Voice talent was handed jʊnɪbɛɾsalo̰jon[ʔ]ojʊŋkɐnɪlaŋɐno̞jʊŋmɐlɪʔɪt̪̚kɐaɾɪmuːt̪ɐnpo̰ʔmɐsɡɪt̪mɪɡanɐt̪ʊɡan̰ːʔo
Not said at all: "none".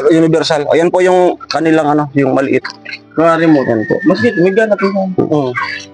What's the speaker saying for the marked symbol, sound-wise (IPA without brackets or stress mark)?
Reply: p